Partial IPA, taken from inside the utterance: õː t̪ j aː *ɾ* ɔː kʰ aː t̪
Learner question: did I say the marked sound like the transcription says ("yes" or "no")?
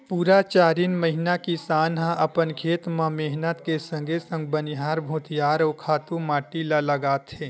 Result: yes